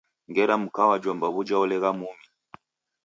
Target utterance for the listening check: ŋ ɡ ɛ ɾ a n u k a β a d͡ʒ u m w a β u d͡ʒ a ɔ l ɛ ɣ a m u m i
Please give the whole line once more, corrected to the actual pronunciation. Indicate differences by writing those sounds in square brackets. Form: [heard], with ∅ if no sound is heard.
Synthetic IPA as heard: ŋ ɡ ɛ ɾ a [m] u k a [w] a d͡ʒ [ɔ] m [b] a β u d͡ʒ a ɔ l ɛ ɣ a m u m i